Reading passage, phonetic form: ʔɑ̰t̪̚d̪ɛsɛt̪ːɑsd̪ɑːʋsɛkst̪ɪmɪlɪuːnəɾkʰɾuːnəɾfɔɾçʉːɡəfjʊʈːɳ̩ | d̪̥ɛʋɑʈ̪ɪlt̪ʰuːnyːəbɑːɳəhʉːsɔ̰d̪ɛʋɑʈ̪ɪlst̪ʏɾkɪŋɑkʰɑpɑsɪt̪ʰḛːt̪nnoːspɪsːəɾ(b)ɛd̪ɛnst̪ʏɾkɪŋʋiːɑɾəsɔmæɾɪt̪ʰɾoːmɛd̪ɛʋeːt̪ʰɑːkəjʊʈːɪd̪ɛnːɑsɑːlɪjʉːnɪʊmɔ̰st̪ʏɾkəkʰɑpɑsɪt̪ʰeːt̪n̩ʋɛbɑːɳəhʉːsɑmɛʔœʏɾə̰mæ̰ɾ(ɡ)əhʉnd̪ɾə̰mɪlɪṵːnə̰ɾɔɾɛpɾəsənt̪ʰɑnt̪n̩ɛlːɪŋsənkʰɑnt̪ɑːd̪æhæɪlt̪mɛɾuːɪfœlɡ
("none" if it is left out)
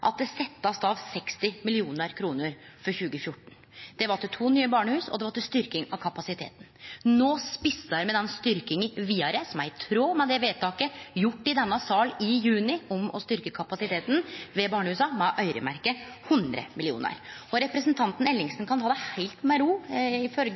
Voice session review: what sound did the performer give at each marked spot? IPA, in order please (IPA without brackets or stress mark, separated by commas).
m, k